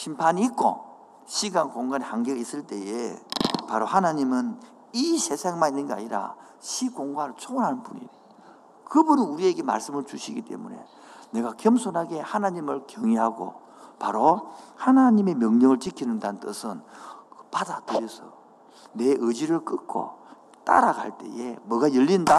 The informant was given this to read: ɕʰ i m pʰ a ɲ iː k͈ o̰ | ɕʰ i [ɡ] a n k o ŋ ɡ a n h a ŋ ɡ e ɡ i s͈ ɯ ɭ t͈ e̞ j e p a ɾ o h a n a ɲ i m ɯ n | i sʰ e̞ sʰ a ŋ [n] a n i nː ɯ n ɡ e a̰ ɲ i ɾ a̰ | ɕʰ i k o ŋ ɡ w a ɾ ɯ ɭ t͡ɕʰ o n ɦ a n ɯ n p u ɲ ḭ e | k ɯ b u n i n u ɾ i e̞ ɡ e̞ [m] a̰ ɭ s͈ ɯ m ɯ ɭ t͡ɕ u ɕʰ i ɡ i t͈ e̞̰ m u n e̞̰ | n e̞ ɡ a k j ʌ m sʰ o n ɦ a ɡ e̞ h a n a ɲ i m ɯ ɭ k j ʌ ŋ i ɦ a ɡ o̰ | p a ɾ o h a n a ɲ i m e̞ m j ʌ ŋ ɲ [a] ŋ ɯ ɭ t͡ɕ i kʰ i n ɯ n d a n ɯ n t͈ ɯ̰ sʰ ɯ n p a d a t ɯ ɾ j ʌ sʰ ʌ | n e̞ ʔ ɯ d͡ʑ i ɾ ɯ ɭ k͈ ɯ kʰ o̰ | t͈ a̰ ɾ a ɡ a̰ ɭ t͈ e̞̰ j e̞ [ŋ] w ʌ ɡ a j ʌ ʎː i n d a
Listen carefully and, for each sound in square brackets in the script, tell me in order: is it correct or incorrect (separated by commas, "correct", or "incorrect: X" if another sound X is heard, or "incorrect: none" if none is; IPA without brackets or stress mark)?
correct, incorrect: m, correct, incorrect: ʌ, incorrect: m